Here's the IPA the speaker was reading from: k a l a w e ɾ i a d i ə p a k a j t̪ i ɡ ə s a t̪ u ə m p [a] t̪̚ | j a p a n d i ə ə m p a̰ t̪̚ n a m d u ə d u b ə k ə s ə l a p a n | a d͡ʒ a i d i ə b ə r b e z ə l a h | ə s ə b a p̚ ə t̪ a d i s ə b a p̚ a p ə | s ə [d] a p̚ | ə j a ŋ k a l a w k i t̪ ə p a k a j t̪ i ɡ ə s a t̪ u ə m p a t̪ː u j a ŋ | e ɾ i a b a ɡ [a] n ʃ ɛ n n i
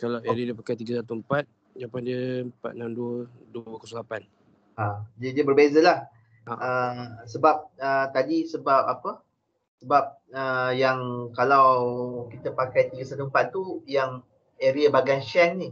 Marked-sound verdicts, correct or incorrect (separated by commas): correct, incorrect, correct